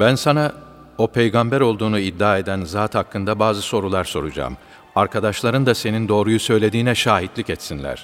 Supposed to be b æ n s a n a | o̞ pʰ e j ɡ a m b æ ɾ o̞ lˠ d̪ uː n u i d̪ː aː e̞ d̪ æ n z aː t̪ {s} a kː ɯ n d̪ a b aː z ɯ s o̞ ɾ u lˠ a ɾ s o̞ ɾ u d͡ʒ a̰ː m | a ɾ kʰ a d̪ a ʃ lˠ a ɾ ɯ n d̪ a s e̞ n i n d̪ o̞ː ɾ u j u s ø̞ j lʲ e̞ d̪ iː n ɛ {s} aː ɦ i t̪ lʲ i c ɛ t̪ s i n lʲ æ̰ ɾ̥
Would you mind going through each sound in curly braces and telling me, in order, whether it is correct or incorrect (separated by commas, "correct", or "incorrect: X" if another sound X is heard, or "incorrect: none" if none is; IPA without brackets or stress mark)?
incorrect: h, incorrect: ʃ